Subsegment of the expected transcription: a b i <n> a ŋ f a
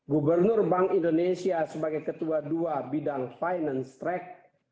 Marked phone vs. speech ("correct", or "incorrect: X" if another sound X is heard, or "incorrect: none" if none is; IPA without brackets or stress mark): incorrect: d